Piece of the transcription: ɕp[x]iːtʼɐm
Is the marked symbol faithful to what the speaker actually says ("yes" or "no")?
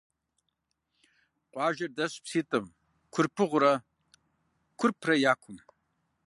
no